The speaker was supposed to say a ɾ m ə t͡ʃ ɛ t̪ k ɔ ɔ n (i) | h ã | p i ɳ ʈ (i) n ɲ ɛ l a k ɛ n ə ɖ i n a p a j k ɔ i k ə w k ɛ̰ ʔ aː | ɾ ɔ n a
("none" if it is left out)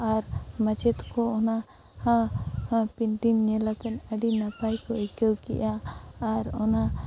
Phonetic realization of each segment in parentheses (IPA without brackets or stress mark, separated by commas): a, i